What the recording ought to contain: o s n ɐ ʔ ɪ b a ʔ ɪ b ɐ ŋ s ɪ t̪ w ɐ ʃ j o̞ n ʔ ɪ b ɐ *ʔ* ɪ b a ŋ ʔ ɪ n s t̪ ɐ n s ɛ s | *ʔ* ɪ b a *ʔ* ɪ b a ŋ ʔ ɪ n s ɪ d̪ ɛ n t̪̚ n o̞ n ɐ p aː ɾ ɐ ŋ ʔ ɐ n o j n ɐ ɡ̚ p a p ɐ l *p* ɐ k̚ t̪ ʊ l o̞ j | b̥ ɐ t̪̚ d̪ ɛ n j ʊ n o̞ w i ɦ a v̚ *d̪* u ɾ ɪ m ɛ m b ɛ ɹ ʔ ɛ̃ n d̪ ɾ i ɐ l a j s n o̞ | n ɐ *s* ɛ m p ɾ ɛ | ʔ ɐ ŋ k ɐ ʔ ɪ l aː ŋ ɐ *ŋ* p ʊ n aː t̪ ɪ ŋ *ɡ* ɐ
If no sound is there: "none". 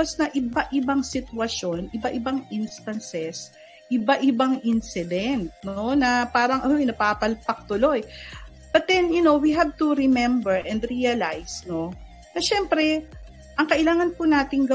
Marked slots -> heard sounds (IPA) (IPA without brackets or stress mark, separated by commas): ʔ, ʔ, ʔ, p, t̪, ʃ, n, ɡ